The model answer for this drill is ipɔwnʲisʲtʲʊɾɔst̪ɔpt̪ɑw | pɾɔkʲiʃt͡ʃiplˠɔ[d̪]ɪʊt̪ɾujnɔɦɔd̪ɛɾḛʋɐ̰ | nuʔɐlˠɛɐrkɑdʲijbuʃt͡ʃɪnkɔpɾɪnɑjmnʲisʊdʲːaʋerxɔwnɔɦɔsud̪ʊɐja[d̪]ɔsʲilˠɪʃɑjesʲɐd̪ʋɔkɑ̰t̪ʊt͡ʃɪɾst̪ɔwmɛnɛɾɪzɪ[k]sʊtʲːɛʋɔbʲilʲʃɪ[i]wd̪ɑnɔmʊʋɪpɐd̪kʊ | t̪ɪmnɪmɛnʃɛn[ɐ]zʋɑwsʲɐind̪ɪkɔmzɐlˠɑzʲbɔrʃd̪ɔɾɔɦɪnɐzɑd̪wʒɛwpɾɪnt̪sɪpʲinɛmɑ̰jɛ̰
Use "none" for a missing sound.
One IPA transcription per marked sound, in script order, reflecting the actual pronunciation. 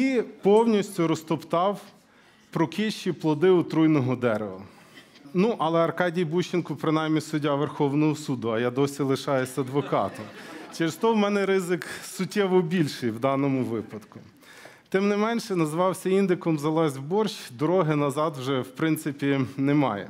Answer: d̪, d̪, k, j, ɐ

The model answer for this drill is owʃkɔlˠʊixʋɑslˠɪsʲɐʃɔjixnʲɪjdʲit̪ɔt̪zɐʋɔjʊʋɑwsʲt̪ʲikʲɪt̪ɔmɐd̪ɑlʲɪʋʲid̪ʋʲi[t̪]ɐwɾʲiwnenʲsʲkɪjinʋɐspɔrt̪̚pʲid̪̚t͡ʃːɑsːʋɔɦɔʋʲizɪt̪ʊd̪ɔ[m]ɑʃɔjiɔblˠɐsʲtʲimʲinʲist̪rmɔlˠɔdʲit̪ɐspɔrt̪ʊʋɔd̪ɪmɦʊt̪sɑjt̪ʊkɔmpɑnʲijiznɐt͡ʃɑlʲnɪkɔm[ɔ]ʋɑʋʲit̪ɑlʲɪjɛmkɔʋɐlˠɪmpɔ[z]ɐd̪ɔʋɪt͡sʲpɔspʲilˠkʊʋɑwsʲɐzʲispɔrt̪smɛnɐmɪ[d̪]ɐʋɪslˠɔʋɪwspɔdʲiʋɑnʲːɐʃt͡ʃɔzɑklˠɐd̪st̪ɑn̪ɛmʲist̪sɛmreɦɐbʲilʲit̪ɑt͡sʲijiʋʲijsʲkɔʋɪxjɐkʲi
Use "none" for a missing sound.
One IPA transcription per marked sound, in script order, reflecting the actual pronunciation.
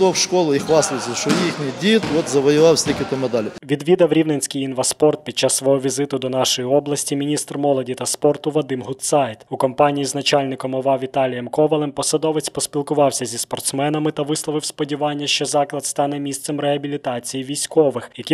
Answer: d̪, n, ɔ, s, t̪

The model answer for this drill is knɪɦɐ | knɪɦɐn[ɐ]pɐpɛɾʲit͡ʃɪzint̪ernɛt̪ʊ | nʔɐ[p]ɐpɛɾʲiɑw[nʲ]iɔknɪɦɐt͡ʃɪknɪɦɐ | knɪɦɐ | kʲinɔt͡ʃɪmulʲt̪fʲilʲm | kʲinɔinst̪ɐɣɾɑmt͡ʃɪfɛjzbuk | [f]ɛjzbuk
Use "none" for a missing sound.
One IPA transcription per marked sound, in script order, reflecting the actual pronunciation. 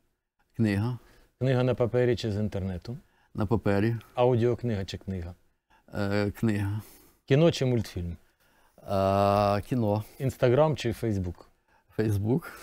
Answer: ɐ, p, dʲ, f

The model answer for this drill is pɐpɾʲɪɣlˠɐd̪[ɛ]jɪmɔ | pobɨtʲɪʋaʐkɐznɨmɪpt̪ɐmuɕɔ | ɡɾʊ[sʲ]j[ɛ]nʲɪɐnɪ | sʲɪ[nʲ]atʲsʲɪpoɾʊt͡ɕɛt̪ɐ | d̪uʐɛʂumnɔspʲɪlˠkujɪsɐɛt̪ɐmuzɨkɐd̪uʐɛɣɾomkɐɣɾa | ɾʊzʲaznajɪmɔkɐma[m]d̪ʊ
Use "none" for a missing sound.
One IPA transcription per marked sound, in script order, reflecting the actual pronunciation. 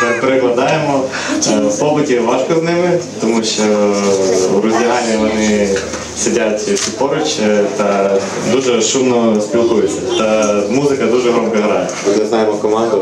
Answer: a, zʲ, a, dʲ, n

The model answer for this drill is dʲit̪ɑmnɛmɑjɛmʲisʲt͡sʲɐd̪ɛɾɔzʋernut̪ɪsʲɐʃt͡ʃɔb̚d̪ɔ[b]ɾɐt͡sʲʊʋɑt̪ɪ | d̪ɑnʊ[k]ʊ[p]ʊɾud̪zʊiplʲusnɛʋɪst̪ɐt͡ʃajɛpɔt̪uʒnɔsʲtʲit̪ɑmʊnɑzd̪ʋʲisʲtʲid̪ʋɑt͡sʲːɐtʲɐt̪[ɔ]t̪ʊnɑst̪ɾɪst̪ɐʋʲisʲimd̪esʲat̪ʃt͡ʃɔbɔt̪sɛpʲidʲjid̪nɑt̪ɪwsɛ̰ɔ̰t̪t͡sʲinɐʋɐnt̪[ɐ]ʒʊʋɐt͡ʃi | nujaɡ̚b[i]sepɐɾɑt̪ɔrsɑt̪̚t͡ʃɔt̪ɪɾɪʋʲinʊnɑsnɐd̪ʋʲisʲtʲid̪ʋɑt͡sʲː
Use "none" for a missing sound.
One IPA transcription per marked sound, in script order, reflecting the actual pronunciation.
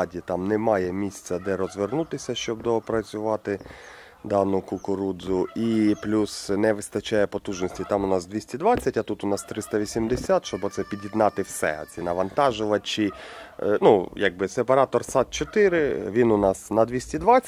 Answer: p, k, k, u, ɑ, ɪ

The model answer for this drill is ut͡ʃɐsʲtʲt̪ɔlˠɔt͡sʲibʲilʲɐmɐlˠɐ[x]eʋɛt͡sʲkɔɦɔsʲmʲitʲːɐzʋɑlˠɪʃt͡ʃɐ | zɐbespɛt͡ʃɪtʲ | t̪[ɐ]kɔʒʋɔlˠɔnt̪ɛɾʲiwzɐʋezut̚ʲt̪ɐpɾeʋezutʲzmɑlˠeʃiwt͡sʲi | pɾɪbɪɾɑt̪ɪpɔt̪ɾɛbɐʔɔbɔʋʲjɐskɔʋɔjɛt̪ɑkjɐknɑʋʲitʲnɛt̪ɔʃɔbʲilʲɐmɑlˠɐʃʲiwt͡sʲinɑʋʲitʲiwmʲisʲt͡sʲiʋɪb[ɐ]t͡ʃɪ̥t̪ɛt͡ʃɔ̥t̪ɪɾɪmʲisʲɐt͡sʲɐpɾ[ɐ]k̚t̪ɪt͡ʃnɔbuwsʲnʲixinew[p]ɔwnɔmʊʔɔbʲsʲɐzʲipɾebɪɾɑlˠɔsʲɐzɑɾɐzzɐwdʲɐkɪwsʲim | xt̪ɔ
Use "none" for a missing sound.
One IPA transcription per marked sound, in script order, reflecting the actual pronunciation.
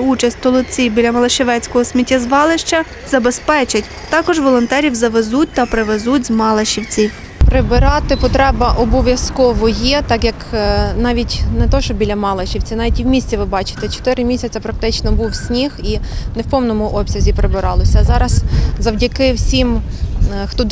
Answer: ʃ, ɑ, ɑ, ɐ, p

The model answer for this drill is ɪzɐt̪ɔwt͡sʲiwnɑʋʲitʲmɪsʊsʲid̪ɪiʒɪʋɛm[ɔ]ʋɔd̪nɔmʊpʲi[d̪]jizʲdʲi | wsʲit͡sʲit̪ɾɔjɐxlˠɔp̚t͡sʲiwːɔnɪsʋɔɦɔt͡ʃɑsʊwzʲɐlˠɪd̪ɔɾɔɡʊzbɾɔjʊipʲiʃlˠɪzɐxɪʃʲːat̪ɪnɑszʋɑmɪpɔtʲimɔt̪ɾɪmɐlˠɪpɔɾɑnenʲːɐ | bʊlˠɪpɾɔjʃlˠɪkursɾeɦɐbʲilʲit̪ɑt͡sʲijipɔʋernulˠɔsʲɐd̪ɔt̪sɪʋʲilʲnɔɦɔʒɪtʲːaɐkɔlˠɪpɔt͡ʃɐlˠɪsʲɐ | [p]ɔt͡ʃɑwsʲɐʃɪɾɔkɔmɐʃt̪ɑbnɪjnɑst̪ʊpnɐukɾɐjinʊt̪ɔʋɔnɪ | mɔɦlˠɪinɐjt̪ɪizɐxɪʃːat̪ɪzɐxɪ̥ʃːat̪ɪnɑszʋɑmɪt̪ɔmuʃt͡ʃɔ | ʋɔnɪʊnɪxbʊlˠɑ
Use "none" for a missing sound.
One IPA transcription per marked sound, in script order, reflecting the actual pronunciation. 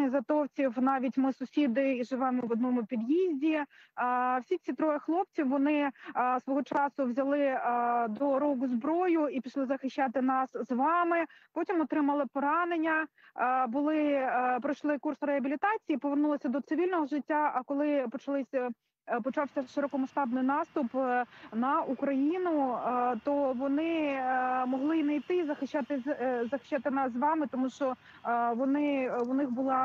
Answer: ɔ, d̪, p

